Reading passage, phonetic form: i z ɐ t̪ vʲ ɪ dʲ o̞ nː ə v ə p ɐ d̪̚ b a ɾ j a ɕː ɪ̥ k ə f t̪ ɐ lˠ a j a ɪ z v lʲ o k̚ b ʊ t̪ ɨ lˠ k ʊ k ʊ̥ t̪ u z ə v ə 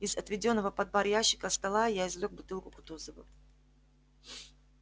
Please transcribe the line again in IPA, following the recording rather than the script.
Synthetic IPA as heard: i z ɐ t̪ vʲ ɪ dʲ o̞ nː ə v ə p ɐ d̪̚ b a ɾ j a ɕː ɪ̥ k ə s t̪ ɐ lˠ a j a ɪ z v lʲ o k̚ b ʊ t̪ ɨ lˠ k ʊ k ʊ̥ t̪ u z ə v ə